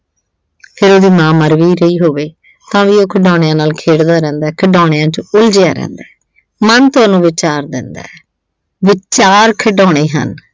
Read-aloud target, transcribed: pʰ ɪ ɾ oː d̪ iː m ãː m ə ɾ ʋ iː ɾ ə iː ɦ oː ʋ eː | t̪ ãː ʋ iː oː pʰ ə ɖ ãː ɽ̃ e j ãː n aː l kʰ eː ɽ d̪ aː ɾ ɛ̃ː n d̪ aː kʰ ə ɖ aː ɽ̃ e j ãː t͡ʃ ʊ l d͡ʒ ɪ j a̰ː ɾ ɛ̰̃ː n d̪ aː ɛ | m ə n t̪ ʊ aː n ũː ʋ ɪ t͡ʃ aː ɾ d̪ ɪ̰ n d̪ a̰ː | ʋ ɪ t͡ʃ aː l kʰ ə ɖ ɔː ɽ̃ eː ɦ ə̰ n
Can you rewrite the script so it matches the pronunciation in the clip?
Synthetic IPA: pʰ ɪ ɾ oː d̪ iː m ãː m ə ɾ ʋ iː ɾ ə iː ɦ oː ʋ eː | t̪ ãː ʋ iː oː kʰ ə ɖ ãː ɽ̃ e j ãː n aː l kʰ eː ɽ d̪ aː ɾ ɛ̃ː n d̪ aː kʰ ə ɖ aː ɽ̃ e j ãː t͡ʃ ʊ l d͡ʒ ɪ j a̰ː ɾ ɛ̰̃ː n d̪ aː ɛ | m ə n t̪ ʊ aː n ũː ʋ ɪ t͡ʃ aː ɾ d̪ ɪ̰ n d̪ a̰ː | ʋ ɪ t͡ʃ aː ɾ kʰ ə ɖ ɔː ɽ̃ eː ɦ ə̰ n